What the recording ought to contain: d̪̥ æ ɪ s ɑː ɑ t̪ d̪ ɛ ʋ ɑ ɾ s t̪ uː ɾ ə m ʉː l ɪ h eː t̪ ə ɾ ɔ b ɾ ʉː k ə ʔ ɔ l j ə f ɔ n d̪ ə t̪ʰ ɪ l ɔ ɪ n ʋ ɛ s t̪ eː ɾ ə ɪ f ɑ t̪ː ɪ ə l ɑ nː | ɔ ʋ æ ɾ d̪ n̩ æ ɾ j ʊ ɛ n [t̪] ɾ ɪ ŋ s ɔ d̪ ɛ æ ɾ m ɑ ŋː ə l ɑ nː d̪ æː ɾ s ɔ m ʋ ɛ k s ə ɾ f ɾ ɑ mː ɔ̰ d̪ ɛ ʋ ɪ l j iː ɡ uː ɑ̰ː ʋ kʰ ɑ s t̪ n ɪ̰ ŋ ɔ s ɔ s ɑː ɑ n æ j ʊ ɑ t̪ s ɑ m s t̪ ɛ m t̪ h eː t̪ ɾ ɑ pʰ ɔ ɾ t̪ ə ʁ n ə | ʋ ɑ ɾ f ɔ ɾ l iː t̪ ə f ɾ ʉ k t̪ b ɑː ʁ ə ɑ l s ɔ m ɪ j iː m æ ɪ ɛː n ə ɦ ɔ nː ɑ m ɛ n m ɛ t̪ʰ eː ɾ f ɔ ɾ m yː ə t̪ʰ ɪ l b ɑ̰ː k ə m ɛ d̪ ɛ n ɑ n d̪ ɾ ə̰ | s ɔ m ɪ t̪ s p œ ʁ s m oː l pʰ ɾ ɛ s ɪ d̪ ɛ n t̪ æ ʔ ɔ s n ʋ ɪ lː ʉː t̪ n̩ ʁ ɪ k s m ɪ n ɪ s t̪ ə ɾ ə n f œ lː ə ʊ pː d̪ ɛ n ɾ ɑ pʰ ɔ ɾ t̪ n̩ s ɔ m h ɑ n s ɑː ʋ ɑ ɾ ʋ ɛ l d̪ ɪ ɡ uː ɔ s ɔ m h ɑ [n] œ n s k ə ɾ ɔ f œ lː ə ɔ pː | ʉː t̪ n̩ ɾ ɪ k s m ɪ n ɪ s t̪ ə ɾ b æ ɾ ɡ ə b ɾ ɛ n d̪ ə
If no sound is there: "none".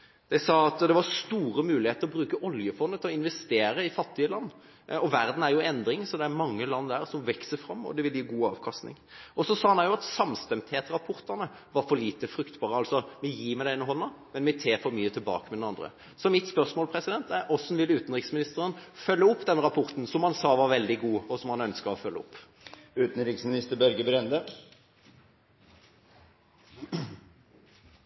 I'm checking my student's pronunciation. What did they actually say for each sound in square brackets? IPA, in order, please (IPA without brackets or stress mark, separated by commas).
d̪, n